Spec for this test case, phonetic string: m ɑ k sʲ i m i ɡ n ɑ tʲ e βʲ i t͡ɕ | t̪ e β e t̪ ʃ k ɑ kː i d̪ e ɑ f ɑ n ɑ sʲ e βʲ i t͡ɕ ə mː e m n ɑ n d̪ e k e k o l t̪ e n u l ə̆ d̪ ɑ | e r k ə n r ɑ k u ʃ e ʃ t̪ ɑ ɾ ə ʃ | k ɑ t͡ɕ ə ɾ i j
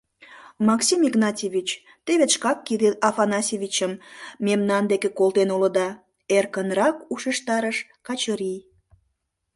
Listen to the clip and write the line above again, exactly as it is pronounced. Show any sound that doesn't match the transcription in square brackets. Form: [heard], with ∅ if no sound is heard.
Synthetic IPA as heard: m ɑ k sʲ i m i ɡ n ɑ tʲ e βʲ i t͡ɕ | t̪ e β e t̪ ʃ k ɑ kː i d̪ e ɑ f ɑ n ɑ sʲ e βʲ i t͡ɕ ə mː e m n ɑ n d̪ e k e k o l t̪ e n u l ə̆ d̪ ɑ | e r k ə n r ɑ k u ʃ e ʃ t̪ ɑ ɾ ə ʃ | k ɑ t͡ɕ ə ɾ i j